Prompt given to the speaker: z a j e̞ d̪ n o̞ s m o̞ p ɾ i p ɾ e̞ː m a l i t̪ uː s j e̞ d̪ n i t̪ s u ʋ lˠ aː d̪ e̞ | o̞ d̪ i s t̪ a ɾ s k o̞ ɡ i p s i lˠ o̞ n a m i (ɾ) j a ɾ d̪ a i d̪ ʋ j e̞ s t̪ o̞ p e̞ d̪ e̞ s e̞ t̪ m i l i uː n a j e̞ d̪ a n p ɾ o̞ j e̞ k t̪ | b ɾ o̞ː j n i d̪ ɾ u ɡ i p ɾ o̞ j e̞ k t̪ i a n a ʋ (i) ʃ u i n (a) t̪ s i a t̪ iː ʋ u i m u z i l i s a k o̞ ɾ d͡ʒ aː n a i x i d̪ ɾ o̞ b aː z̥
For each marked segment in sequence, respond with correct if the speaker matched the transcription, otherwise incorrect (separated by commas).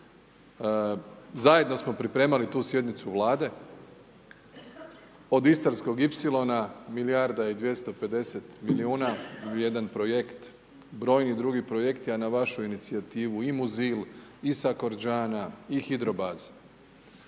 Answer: incorrect, incorrect, incorrect